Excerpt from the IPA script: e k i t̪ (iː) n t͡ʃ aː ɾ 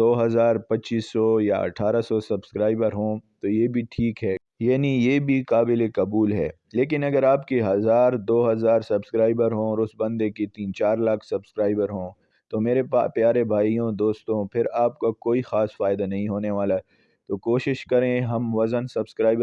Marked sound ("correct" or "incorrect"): correct